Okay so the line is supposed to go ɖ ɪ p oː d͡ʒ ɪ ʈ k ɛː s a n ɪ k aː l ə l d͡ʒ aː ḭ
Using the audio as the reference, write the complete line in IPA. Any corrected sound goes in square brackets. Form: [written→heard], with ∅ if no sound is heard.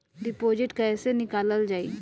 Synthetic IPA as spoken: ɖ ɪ p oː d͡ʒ ɪ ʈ k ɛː s [a→e] n ɪ k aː l ə l d͡ʒ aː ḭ